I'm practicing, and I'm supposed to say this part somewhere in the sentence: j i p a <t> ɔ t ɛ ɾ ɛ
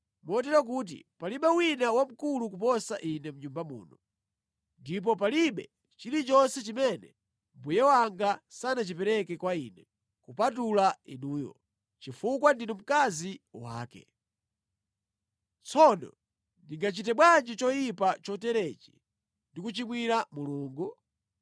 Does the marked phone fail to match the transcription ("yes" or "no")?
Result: yes